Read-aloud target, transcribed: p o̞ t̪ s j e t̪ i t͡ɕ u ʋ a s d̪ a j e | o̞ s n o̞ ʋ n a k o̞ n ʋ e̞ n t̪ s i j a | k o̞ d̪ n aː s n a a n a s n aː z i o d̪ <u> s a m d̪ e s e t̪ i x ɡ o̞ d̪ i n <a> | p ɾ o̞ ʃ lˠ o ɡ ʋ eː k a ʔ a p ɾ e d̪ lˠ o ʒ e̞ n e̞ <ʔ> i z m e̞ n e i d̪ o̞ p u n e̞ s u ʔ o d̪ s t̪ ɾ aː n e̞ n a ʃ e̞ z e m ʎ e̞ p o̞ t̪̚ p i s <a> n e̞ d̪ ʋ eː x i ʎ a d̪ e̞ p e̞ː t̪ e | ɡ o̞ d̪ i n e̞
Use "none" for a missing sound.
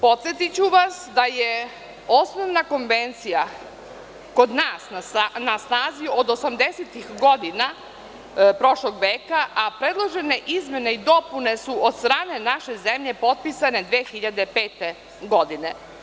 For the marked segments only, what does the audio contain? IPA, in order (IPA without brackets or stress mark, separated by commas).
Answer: o, a, ʔ, a